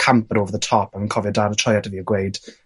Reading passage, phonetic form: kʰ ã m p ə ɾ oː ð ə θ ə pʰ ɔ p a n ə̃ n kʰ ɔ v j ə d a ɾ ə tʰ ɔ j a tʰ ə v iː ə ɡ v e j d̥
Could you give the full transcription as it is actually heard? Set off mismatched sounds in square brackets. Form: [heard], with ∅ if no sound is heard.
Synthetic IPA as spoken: kʰ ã m p ə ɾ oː [v] ə [ð] ə [tʰ] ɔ p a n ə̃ n kʰ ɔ v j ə d a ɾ ə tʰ ɔ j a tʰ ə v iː ə ɡ [w] e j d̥